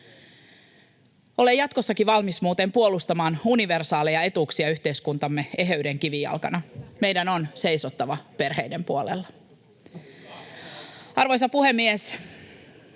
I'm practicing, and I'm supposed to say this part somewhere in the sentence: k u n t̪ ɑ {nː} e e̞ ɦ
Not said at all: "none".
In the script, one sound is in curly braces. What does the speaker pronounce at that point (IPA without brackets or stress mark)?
mː